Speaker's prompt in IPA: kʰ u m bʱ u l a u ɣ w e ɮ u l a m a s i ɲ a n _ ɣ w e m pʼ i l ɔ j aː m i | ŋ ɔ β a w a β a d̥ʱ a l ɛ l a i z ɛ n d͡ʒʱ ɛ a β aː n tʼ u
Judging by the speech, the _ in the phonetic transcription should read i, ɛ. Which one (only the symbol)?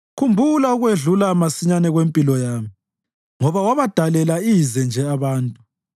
ɛ